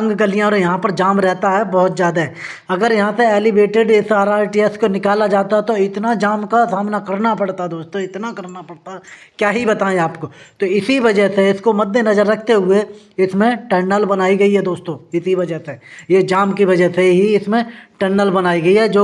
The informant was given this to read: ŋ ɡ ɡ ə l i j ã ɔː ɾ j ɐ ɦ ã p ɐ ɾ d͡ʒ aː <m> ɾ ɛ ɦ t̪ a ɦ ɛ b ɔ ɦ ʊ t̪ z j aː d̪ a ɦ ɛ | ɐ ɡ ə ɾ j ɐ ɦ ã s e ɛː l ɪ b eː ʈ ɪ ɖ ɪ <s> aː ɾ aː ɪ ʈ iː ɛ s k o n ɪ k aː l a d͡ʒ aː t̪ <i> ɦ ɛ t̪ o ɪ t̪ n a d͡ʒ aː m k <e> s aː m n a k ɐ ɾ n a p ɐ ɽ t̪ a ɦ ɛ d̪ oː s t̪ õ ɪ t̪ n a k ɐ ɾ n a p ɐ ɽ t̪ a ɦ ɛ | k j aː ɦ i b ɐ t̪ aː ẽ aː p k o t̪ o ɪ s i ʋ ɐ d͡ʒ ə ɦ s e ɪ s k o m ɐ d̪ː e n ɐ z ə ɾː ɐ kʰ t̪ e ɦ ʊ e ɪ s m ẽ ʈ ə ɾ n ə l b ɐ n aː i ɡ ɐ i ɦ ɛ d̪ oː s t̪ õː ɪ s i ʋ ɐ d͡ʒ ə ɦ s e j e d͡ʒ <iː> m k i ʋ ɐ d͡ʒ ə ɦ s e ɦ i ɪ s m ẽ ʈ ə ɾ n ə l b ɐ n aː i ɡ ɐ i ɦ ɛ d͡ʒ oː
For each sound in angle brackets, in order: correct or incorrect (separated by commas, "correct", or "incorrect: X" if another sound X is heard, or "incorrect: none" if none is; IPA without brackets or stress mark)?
correct, correct, incorrect: a, incorrect: a, incorrect: aː